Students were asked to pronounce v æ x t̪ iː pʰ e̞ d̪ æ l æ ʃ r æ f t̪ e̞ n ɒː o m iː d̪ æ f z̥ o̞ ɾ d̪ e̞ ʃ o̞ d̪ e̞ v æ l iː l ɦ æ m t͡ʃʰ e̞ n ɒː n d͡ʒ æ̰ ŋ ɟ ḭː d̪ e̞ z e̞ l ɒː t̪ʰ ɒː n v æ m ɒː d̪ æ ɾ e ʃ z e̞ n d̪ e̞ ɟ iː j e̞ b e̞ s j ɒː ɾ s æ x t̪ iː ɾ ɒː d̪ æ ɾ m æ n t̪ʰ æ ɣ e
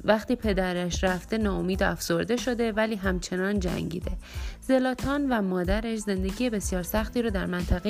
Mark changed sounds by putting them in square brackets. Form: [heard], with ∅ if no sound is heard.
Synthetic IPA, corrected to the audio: v æ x t̪ iː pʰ e̞ d̪ æ [ɾ] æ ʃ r æ f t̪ e̞ n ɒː o m iː d̪ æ f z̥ o̞ ɾ d̪ e̞ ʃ o̞ d̪ e̞ v æ l iː [∅] ɦ æ m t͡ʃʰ e̞ n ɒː n d͡ʒ æ̰ ŋ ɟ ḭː d̪ e̞ z e̞ l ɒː t̪ʰ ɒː n v æ m ɒː d̪ æ ɾ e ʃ z e̞ n d̪ e̞ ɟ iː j e̞ b e̞ s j ɒː ɾ s æ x t̪ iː ɾ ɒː d̪ æ ɾ m æ n t̪ʰ æ ɣ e